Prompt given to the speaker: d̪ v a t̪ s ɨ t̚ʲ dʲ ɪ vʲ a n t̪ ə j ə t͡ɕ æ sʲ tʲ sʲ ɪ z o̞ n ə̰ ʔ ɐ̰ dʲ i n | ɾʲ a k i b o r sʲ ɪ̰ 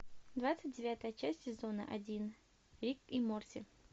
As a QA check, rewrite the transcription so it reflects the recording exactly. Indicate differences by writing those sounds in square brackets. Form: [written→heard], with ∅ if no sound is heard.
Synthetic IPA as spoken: d̪ v a t̪ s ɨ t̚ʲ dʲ ɪ vʲ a [n→∅] t̪ ə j ə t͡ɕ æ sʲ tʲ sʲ ɪ z o̞ n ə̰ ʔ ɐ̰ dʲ i n | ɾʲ [a→i] k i [b→m] o r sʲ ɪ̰